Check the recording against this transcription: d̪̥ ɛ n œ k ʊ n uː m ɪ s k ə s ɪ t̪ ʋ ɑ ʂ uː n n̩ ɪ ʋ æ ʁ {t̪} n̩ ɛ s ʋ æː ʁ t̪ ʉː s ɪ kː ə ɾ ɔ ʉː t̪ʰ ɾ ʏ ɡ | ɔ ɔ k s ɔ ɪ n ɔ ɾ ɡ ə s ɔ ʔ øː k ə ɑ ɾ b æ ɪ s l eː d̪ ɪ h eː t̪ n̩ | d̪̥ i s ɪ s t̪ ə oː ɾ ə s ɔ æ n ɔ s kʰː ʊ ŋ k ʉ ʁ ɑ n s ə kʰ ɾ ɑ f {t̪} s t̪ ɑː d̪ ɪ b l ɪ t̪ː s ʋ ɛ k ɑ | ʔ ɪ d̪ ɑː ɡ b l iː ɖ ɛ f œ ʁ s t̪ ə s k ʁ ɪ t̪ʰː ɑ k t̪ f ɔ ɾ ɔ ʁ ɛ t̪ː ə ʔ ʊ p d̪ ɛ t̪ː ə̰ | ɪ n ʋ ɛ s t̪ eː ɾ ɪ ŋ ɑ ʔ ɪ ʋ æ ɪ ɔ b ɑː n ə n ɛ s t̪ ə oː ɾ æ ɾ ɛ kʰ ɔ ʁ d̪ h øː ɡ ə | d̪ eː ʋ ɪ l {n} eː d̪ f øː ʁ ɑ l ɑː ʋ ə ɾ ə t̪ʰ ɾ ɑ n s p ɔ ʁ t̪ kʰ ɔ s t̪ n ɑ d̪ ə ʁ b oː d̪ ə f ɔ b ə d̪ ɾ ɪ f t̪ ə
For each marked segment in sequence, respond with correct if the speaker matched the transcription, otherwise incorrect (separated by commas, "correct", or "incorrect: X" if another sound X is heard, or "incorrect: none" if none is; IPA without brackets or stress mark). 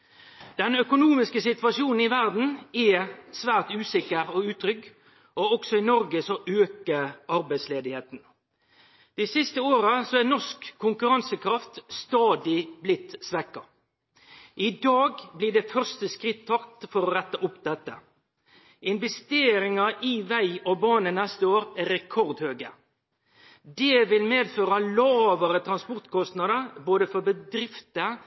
incorrect: d̪, correct, incorrect: m